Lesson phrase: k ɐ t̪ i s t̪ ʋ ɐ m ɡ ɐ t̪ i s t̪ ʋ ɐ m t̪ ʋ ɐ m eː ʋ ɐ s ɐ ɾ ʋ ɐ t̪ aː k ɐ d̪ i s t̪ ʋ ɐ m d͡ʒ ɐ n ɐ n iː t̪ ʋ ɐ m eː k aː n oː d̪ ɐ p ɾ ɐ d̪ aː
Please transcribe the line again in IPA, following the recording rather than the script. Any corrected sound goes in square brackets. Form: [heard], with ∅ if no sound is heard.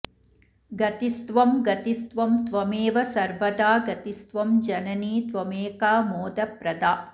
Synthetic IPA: [ɡ] ɐ t̪ i s t̪ ʋ ɐ m ɡ ɐ t̪ i s t̪ ʋ ɐ m t̪ ʋ ɐ m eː ʋ ɐ s ɐ ɾ ʋ ɐ [d̪] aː [ɡ] ɐ [t̪] i s t̪ ʋ ɐ m d͡ʒ ɐ n ɐ n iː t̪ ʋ ɐ m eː k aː [m] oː d̪ ɐ p ɾ ɐ d̪ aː